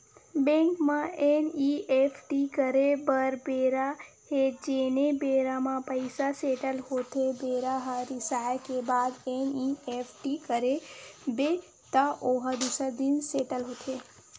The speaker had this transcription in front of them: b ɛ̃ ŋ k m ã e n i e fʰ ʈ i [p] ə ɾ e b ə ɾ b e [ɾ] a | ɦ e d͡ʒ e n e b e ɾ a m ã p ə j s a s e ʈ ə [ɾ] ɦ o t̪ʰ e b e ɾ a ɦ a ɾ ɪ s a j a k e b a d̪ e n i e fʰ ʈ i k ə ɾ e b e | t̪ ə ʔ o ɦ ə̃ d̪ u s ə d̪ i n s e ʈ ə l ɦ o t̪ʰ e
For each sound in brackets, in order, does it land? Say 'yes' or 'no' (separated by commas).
no, yes, no